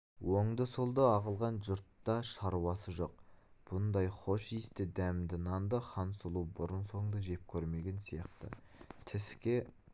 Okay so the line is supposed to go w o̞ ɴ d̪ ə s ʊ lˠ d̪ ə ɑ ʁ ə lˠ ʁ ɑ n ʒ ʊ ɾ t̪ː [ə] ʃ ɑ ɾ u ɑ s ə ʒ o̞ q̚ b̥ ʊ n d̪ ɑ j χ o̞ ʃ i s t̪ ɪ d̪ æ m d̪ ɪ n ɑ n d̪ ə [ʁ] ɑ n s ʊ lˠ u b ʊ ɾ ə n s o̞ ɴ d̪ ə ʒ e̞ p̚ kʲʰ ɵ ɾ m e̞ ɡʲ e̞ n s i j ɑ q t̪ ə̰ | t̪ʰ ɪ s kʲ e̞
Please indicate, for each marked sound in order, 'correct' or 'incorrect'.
incorrect: ɑ, incorrect: χ

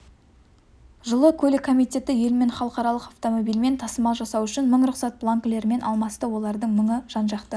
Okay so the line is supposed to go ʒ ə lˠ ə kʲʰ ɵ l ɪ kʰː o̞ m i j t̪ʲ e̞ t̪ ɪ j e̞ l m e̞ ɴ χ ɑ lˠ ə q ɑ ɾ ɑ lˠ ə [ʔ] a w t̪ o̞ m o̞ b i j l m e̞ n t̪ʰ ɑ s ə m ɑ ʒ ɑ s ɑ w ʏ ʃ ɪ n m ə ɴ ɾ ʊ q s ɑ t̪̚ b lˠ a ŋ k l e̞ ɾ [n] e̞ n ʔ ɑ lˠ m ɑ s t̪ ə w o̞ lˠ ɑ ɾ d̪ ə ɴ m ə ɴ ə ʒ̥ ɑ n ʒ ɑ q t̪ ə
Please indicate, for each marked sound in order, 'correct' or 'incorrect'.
incorrect: q, incorrect: m

